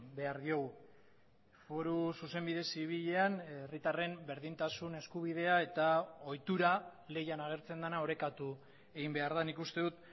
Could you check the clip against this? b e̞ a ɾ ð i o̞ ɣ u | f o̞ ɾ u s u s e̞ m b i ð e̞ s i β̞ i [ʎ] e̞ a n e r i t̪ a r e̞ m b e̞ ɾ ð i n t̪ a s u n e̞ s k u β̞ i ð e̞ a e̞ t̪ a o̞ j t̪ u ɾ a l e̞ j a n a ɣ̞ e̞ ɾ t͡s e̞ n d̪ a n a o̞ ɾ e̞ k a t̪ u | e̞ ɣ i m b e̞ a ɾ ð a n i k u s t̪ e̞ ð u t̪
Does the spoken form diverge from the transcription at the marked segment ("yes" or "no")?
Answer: no